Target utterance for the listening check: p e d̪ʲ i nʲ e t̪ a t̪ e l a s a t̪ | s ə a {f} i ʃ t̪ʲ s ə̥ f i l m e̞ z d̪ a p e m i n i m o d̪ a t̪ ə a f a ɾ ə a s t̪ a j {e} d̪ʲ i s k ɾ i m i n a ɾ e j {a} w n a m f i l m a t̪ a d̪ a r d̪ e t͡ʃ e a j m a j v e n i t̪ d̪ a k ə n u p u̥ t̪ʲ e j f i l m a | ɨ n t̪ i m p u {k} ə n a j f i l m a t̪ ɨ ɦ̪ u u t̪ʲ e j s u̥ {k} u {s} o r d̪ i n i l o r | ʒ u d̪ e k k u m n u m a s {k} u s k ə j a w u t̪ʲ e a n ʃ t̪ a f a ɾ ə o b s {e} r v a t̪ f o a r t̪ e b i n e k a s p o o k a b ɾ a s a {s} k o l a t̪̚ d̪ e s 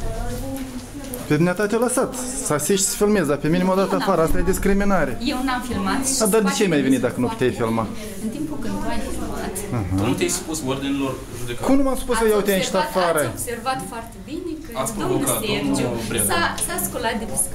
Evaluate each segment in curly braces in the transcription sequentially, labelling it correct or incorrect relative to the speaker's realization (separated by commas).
incorrect, correct, incorrect, correct, incorrect, correct, incorrect, correct, correct